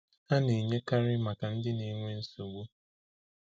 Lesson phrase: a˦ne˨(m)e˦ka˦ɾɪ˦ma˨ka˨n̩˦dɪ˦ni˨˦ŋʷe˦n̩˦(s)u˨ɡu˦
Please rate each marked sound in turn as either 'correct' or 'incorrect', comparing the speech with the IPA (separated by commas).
incorrect, correct